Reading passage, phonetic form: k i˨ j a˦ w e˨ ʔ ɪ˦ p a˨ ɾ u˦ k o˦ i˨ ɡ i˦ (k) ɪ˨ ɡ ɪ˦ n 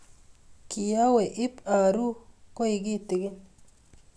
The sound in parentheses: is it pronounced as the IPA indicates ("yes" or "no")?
no